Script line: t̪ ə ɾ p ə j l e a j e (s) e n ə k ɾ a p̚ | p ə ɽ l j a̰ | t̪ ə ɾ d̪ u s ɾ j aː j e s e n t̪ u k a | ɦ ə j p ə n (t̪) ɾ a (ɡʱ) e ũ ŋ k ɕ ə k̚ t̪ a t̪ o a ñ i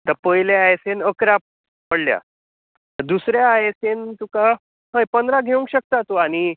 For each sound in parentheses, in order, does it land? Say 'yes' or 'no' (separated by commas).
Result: yes, no, yes